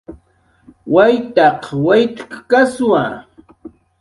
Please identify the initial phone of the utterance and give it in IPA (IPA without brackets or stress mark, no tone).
w